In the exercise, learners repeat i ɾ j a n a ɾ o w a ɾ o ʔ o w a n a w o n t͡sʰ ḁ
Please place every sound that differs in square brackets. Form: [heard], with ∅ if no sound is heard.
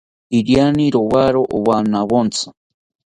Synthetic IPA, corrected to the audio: i ɾ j a n [i] ɾ o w a ɾ o ʔ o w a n a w o n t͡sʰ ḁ